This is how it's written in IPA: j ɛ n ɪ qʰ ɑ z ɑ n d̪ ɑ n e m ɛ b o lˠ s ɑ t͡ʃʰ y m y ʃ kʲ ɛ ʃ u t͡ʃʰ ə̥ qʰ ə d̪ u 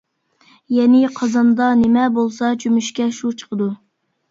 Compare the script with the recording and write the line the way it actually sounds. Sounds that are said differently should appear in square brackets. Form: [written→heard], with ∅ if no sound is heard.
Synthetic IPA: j ɛ n ɪ qʰ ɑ z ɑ n d̪ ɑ n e m ɛ b o lˠ s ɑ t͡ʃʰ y m y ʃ kʲ ɛ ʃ u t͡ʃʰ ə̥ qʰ ə d̪ u